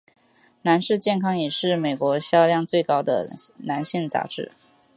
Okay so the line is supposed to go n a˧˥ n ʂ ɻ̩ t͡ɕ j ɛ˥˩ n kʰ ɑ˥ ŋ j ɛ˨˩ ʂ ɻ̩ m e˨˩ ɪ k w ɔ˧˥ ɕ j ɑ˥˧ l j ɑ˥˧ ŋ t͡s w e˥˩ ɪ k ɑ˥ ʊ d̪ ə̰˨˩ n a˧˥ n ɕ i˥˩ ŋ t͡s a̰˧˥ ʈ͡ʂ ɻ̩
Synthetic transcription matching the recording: n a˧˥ n ʂ ɻ̩ t͡ɕ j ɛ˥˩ n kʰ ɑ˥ ŋ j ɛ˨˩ ʂ ɻ̩ m e˨˩ ɪ k w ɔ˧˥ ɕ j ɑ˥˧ l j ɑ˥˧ ŋ t͡s w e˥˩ ɪ k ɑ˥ ʊ d̪ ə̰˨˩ n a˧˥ n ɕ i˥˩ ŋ t͡s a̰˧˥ ʈ͡ʂ ɻ̩